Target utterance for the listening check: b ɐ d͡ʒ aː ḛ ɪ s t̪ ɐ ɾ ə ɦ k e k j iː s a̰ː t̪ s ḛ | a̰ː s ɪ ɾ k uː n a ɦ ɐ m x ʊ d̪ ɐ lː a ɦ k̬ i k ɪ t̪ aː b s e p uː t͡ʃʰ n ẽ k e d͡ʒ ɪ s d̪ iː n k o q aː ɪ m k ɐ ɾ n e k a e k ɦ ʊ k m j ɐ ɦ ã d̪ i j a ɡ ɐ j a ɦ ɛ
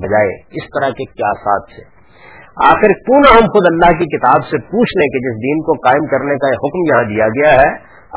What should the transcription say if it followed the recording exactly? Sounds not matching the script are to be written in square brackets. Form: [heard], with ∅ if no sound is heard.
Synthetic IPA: b ɐ d͡ʒ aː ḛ ɪ s t̪ ɐ ɾ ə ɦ k e k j [aː] s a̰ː t̪ s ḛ | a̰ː [x] ɪ ɾ k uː n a ɦ ɐ m x ʊ d̪ ɐ lː a ɦ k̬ i k ɪ t̪ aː b s e p uː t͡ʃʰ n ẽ k e d͡ʒ ɪ s d̪ iː n k o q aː ɪ m k ɐ ɾ n e k a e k ɦ ʊ k m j ɐ ɦ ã d̪ i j a ɡ ɐ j a ɦ ɛ